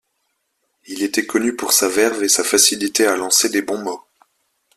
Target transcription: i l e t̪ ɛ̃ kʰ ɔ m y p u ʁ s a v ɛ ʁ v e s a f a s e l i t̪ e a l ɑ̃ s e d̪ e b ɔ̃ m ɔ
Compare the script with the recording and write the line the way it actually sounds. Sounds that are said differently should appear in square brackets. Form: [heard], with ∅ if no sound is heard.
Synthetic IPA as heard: i l e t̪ [ɛ] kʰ ɔ [n] y p u ʁ s a v ɛ ʁ v e s a f a s [i] l i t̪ e a l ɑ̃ s e d̪ e b ɔ̃ m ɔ